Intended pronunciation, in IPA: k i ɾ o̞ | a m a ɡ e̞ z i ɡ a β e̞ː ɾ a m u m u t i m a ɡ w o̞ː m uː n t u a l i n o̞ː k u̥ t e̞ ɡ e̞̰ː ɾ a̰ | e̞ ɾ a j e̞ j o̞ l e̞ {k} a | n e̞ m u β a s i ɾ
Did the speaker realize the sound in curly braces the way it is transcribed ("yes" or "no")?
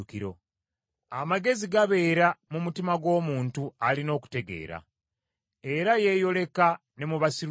yes